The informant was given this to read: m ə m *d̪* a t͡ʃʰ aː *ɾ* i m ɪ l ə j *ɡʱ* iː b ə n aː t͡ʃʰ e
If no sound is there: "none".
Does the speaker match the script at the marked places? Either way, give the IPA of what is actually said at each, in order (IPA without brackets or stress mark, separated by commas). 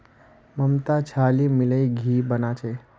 t̪, l, ɡʱ